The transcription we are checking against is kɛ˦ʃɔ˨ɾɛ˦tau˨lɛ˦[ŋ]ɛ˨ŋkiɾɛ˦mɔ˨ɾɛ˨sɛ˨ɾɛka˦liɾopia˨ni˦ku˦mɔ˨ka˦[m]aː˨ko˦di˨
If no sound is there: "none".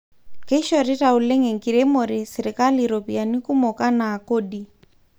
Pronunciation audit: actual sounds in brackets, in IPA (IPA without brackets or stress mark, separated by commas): ŋ, n